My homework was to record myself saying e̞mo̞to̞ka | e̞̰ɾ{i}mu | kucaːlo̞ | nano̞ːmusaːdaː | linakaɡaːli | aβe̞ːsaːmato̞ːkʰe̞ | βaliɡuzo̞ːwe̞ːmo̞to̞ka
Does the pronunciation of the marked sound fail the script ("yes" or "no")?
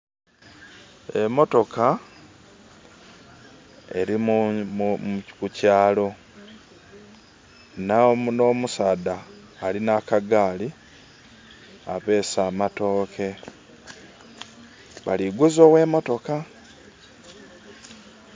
no